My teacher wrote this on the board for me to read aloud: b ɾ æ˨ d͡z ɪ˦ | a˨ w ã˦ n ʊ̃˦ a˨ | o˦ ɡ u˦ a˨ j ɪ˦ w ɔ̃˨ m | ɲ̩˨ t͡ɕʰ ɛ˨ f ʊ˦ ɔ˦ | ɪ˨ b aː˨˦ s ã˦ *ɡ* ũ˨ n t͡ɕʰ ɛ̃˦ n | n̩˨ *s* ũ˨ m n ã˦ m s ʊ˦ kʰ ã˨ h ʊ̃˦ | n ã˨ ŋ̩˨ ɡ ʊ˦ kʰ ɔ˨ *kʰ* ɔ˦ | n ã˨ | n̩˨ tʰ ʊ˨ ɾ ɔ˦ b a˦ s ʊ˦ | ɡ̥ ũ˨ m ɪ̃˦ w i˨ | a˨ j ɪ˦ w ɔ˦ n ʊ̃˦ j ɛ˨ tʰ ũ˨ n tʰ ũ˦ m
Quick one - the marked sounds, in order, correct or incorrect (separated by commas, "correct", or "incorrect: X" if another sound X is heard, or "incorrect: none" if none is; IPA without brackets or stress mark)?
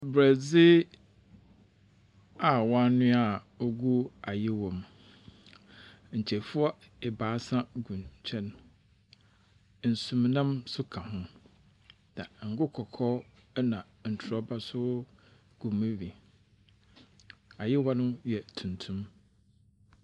correct, correct, correct